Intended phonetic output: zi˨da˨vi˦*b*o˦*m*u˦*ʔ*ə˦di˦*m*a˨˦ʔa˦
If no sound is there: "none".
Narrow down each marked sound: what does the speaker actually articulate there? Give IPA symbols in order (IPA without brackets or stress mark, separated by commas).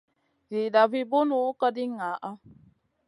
b, n, k, ŋ